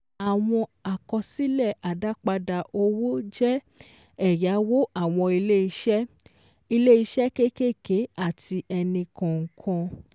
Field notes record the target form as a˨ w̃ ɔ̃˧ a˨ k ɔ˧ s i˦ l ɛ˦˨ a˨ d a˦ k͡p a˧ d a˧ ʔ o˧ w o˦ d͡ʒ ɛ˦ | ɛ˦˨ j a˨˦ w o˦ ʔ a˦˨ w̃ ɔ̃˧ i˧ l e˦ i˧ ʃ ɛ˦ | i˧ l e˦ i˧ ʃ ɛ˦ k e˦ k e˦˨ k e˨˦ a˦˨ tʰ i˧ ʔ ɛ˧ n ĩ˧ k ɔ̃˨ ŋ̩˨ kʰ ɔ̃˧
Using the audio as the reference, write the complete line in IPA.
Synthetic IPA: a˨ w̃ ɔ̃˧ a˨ k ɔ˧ s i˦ l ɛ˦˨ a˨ d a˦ k͡p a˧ d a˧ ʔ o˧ w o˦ d͡ʒ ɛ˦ | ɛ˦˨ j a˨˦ w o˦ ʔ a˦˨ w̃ ɔ̃˧ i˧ l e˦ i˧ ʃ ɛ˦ | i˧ l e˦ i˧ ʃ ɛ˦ k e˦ k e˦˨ k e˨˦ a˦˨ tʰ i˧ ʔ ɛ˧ n ĩ˧ k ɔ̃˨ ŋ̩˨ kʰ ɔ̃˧